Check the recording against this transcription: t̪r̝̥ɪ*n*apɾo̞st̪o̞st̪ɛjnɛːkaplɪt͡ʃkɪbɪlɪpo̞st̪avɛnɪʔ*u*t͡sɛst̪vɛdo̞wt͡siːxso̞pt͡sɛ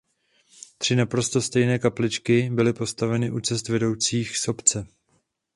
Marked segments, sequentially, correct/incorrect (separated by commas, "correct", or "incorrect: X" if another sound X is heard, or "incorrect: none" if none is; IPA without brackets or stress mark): correct, correct